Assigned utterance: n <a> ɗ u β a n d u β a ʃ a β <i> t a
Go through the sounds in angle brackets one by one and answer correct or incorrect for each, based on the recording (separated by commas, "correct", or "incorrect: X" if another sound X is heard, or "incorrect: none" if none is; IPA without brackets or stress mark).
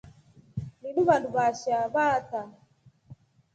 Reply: incorrect: i, incorrect: a